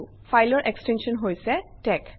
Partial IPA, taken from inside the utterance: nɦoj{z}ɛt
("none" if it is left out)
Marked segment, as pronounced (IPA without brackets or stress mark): s